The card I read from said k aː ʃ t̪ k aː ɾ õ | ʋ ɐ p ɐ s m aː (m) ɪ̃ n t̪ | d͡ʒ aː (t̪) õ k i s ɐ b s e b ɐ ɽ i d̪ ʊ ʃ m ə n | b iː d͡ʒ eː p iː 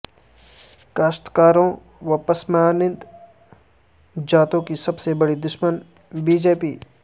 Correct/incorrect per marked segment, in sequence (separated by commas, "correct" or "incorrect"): incorrect, correct